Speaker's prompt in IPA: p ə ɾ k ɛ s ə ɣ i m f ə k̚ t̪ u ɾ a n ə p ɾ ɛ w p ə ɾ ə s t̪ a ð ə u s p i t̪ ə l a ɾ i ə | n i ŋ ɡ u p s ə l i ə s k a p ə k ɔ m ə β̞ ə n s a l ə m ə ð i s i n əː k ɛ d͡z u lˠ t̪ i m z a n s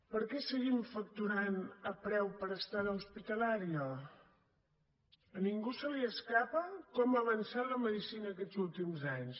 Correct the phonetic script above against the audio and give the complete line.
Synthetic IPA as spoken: p ə ɾ k ɛ s ə ɣ i m f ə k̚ t̪ u ɾ a n ə p ɾ ɛ w p ə ɾ ə s t̪ a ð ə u s p i t̪ ə l a ɾ i ə | n i ŋ ɡ u s ə l i ə s k a p ə k ɔ m ə β̞ ə n s a l ə m ə ð i s i n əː k ɛ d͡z u lˠ t̪ i m z a ɲ s

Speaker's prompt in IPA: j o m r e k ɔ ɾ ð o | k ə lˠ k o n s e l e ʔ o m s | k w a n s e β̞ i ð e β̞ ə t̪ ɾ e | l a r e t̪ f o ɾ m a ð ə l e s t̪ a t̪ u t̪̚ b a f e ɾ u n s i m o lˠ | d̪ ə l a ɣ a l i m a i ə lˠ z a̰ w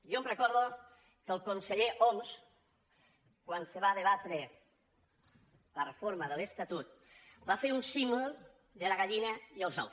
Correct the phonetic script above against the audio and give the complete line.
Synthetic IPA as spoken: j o m r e k ɔ ɾ ð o | k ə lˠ k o n s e ʎ e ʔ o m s | k w a n s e β̞ a ð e β̞ a t̪ ɾ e | l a r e f o ɾ m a ð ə l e s t̪ a t̪ u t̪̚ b a f e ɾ u n s i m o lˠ | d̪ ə l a ɣ a ʎ i n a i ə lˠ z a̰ w

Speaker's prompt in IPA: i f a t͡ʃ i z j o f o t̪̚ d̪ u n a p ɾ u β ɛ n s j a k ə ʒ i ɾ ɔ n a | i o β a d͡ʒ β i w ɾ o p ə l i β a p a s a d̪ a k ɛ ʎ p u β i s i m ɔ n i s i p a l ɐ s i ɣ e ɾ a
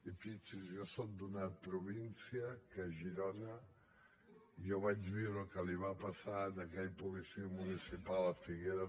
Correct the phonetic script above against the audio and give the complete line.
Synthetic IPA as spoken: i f i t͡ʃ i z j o s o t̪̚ d̪ u n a p ɾ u β i n s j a k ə ʒ i ɾ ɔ n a | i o β a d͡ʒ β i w ɾ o k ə l i β a p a s a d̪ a k ɛ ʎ p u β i s i m u n i s i p a l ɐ f i ɣ e ɾ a

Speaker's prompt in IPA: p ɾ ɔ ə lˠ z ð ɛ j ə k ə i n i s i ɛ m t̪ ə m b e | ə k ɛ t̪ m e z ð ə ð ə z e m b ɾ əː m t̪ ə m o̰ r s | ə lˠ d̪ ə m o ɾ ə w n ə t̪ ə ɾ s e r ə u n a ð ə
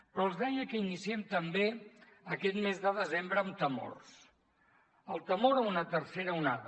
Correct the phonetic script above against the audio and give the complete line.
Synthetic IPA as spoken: p ɾ ɔ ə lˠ z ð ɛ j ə k ə i n i s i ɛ m t̪ ə m b e | ə k ɛ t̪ m e z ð ə ð ə z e m b ɾ əː m t̪ ə m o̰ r s | ə lˠ t̪ ə m o ɾ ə u n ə t̪ ə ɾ s e ɾ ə u n a ð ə

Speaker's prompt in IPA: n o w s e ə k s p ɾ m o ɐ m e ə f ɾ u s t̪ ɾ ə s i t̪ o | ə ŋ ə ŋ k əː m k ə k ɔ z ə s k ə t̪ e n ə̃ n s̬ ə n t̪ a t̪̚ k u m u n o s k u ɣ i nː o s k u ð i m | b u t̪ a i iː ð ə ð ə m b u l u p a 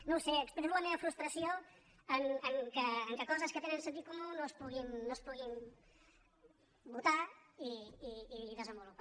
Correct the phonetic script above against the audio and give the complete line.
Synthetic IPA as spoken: n o w s e ə k s p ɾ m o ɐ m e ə f ɾ u s t̪ ɾ ə s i o | ə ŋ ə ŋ k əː ŋ k ə k ɔ z ə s k ə t̪ e n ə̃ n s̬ ə n t̪ i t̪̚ k u m u n o s p u ɣ i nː o s p u ɣ i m | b u t̪ a i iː ð ə z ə m b u l u p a

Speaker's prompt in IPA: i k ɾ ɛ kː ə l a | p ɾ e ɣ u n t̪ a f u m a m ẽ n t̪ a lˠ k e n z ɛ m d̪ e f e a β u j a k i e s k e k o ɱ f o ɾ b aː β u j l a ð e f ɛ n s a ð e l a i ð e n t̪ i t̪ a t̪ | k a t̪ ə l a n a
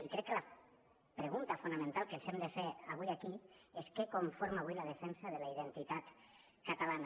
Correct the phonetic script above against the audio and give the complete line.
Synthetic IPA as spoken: i k ɾ ɛ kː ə l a | p ɾ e ɣ u n t̪ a f u n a m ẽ n t̪ a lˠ k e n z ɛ m d̪ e f e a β u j a k i e s k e k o ɱ f o ɾ m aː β u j l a ð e f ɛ n s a ð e l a i ð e n t̪ i t̪ a t̪ | k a t̪ a l a n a

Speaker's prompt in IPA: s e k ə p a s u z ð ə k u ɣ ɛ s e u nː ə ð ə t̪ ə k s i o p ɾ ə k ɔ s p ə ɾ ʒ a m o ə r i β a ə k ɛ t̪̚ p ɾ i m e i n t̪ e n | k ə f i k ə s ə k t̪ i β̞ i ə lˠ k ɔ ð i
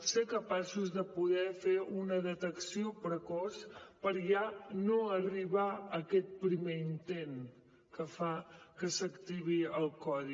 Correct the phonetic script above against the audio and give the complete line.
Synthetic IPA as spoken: s e k ə p a s u z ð ə p u ð ɛ f e u n ə ð ə t̪ ə k s i o p ɾ ə k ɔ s p ə ɾ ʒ a n o ə r i β a ə k ɛ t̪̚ p ɾ i m e i n t̪ e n | k ə f a k ə s ə k t̪ i β̞ i ə lˠ k ɔ ð i

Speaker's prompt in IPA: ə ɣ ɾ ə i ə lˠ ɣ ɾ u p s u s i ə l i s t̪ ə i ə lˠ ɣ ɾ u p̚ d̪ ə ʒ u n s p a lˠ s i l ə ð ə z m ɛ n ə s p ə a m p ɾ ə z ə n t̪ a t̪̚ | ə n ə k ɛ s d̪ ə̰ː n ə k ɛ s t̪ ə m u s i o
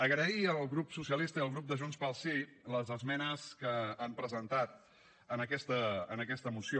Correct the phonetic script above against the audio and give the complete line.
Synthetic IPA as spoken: ə ɣ ɾ ə i ə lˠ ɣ ɾ u p s u s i ə l i s t̪ ə i ə lˠ ɣ ɾ u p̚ d̪ ə ʒ u n s p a lˠ s i l ə z ə z m ɛ n ə s k ə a m p ɾ ə z ə n t̪ a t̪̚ | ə n ə k ɛ s t̪ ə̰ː n ə k ɛ s t̪ ə m u s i o

